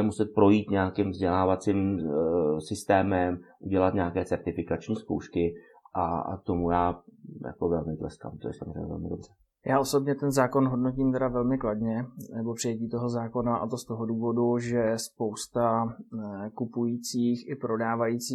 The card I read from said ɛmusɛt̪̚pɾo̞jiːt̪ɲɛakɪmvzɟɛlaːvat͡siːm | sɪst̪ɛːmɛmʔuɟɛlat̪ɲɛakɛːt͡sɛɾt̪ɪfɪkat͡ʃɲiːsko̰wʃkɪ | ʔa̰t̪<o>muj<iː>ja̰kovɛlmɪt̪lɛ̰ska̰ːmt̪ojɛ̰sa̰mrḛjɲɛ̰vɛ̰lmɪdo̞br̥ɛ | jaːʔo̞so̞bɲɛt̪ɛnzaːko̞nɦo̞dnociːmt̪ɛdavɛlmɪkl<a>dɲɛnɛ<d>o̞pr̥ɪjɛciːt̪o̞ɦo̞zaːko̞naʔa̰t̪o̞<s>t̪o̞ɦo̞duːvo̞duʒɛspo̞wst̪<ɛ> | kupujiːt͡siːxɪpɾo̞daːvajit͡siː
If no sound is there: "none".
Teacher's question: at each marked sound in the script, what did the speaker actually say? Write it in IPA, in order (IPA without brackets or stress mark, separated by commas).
o, aː, a, b, s, a